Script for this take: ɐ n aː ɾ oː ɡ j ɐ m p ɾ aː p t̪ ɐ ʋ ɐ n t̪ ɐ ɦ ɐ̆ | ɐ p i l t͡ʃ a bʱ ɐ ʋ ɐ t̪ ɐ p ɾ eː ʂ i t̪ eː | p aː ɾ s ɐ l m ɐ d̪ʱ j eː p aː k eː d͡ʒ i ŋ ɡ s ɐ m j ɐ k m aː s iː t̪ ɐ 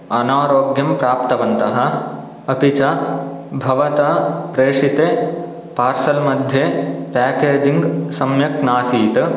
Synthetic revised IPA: ɐ n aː ɾ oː ɡ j ɐ m p ɾ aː p t̪ ɐ ʋ ɐ n t̪ ɐ ɦ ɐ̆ | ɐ p i t͡ʃ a bʱ ɐ ʋ ɐ t̪ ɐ p ɾ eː ʂ i t̪ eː | p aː ɾ s ɐ l m ɐ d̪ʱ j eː p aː k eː d͡ʒ i ŋ ɡ s ɐ m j ɐ k n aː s iː t̪ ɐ